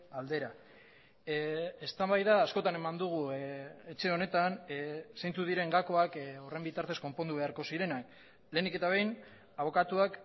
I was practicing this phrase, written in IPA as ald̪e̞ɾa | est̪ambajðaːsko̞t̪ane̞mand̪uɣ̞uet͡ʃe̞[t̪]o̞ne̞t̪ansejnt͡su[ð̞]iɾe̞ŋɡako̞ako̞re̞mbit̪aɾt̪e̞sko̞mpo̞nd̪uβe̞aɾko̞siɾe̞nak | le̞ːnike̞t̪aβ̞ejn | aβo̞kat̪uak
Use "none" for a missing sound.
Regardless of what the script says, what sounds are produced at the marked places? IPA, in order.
none, ð̞

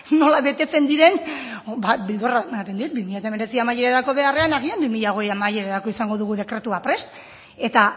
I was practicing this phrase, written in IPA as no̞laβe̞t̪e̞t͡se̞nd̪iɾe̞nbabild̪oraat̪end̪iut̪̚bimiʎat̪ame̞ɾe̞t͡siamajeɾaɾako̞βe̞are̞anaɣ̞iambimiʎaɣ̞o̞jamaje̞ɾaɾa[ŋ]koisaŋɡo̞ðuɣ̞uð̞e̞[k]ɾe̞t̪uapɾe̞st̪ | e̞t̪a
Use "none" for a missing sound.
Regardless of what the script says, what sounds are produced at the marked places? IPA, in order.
none, k

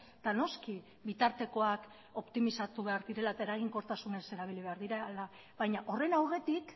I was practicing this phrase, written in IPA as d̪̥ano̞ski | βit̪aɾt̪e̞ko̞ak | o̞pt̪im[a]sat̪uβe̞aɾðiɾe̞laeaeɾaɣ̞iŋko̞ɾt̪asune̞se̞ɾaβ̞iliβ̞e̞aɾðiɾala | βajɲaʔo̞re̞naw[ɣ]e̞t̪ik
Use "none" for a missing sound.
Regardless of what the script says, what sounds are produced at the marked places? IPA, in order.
i, ɣ

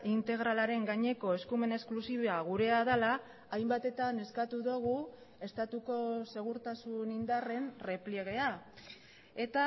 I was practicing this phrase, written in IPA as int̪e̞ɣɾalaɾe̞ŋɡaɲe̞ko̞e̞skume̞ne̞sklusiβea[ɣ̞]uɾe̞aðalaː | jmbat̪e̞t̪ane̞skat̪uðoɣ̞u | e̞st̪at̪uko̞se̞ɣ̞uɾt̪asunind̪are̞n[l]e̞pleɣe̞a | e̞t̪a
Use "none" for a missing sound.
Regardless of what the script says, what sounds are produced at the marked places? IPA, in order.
ɣ̞, r

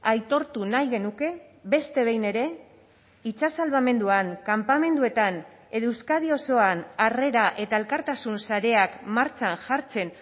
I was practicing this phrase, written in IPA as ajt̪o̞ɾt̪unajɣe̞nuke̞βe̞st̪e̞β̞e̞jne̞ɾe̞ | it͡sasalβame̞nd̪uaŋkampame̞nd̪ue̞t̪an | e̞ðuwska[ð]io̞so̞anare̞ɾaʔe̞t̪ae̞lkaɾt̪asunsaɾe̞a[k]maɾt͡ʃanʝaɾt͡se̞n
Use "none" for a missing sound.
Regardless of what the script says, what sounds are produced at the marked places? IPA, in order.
ð, k

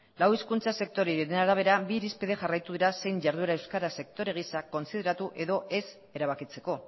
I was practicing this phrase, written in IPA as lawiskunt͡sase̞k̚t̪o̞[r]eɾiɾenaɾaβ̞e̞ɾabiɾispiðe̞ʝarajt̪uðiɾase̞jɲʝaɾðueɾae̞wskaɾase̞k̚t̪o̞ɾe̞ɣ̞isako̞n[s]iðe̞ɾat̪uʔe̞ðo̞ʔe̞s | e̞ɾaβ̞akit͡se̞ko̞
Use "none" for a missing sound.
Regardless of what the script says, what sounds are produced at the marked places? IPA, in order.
ɾ, s

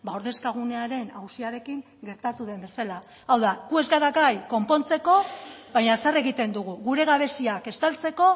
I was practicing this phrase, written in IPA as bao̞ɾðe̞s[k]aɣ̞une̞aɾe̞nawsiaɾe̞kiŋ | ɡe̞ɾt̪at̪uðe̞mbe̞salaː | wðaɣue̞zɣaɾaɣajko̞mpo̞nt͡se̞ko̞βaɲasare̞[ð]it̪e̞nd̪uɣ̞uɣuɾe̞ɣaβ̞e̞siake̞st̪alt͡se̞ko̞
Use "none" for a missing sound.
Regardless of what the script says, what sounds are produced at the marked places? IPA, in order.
k, ɣ

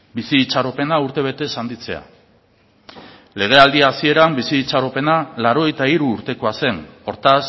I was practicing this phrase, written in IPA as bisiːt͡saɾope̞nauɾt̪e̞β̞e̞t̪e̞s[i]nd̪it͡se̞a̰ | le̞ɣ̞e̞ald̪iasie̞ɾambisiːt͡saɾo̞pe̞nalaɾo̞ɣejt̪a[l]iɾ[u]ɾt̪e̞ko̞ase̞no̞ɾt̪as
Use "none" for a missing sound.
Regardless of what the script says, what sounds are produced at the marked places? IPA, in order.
a, none, uː

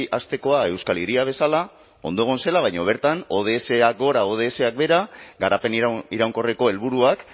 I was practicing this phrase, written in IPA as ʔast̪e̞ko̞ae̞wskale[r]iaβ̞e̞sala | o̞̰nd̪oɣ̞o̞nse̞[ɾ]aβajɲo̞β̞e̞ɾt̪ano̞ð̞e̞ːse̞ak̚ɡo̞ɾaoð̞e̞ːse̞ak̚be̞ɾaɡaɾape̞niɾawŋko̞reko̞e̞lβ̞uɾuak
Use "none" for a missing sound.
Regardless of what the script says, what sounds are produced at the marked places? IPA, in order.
ɾ, l

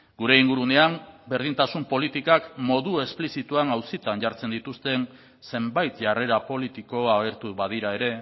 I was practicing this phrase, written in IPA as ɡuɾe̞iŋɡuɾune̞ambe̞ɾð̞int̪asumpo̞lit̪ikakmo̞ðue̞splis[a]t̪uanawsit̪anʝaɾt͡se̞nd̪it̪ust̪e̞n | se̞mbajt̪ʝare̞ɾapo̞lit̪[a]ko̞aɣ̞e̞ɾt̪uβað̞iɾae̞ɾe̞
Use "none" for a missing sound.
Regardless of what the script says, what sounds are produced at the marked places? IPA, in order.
i, i

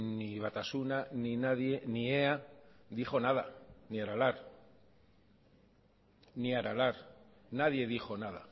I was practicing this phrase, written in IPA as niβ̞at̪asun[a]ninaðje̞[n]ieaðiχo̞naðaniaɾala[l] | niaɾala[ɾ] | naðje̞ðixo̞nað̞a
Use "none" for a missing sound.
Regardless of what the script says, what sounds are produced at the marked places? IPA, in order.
a, n, ɾ, ɾ

